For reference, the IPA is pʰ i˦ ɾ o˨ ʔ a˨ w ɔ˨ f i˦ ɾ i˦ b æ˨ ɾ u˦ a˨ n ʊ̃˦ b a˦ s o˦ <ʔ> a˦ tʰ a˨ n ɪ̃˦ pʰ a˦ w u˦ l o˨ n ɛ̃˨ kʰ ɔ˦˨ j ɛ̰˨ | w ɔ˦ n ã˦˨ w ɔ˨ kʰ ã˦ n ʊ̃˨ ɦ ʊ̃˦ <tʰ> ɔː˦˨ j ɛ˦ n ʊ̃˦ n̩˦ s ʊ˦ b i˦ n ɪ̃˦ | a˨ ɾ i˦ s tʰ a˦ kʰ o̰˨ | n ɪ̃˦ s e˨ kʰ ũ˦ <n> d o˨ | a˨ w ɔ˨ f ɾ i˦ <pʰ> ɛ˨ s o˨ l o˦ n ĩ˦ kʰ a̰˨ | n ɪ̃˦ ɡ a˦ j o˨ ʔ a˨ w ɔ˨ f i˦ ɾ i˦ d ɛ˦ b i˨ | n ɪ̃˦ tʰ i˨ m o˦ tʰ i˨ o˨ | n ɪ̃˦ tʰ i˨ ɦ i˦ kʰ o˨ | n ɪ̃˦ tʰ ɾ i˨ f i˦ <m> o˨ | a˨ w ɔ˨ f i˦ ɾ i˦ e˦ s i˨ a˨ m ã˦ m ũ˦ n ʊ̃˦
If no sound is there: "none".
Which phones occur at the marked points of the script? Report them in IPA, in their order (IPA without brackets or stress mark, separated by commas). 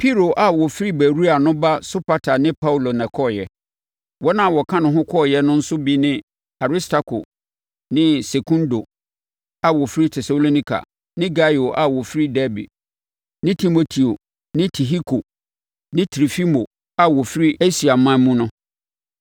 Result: p, kʰ, n, tʰ, m